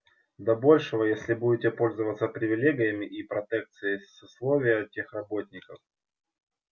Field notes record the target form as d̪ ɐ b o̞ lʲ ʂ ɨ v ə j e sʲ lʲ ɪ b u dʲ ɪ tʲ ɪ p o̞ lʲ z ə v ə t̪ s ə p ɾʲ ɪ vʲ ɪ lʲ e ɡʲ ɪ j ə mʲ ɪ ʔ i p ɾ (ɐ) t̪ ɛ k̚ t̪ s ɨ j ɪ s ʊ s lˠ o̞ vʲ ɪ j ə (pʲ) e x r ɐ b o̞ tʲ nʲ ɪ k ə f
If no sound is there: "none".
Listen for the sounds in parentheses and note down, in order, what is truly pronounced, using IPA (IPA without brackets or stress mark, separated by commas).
ɐ, tʲ